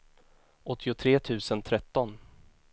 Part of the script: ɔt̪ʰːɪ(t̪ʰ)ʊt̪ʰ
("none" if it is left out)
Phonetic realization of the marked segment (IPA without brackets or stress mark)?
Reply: none